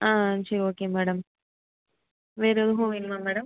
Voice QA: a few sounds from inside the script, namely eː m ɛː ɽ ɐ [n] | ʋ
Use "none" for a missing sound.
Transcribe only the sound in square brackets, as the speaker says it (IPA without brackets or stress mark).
m